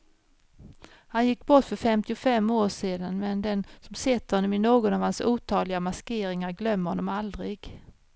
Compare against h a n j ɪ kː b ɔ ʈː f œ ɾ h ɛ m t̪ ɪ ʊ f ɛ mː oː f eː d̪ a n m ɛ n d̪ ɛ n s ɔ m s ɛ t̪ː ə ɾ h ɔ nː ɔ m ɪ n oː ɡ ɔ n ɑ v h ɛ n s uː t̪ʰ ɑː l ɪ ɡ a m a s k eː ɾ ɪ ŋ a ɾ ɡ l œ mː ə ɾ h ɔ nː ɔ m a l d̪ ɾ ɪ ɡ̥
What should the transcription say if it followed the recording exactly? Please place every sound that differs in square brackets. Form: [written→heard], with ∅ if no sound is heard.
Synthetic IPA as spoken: h a n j ɪ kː b ɔ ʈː f œ ɾ [h→f] ɛ m t̪ ɪ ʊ f ɛ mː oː [f→ʂ] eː d̪ a n m ɛ n d̪ ɛ n s ɔ m s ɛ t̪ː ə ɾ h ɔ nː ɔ m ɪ n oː ɡ ɔ n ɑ v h [ɛ→a] n s uː t̪ʰ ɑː l ɪ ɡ a m a s k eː ɾ ɪ ŋ a ɾ ɡ l œ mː ə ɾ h ɔ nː ɔ m a l d̪ ɾ ɪ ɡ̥